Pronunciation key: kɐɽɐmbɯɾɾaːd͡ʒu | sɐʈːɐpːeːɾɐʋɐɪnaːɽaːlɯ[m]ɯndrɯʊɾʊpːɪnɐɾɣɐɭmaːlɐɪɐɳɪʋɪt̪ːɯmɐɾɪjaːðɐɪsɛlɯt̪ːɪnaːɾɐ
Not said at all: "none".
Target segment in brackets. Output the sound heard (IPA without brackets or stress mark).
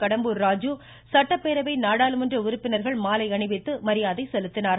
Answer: m